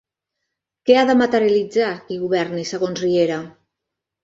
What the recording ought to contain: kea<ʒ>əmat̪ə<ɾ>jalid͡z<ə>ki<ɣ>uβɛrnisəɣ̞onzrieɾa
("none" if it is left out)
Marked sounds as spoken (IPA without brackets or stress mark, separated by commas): ð, ɾ, a, ɣ